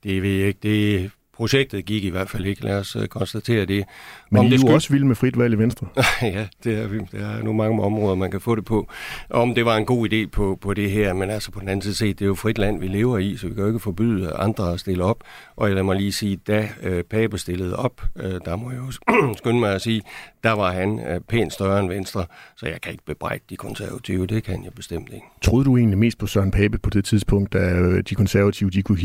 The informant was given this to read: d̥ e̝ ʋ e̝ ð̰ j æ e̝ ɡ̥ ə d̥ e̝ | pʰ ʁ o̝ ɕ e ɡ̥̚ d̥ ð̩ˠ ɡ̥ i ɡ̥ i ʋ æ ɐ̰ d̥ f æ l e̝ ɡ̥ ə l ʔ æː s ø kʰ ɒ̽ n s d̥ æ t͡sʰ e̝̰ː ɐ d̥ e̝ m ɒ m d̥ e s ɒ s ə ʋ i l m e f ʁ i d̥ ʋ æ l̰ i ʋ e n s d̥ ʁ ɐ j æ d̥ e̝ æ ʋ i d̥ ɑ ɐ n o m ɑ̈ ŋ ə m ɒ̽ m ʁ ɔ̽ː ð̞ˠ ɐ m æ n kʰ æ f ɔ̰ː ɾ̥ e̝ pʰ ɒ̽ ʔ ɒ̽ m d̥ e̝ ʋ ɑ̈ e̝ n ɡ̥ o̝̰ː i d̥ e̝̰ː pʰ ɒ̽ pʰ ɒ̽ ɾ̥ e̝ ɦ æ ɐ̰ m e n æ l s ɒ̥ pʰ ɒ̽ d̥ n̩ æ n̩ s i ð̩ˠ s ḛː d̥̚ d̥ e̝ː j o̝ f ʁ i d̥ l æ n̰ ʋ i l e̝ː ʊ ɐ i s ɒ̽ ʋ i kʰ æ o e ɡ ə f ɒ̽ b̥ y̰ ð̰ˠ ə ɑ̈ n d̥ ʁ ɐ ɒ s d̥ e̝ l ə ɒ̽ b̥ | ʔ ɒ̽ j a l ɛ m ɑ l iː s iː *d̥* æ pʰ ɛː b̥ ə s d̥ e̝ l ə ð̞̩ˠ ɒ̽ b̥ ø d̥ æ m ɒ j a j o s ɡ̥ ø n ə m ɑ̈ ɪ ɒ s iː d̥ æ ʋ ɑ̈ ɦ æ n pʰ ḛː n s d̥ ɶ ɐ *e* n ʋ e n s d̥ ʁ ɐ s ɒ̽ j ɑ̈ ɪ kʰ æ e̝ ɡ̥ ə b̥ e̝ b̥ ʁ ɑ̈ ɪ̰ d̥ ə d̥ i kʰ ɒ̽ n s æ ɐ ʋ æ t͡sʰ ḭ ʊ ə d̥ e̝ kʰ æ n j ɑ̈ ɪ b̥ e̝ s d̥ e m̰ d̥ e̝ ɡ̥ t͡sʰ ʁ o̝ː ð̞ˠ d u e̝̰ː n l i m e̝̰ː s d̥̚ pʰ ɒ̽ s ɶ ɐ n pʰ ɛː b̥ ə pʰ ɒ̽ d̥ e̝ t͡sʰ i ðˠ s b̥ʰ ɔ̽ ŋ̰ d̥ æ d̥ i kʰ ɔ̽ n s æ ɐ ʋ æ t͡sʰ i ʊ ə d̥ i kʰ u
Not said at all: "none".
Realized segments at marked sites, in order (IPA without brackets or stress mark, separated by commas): d̥, e